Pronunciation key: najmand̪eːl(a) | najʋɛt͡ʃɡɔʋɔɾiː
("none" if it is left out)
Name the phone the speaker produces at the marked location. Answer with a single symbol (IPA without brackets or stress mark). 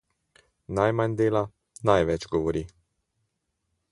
a